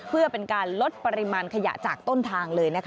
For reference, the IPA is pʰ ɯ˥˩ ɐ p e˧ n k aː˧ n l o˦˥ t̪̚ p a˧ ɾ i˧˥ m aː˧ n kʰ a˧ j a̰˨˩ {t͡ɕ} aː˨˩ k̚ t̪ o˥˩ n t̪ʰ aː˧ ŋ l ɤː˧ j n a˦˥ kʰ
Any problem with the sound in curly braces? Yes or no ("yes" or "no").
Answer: no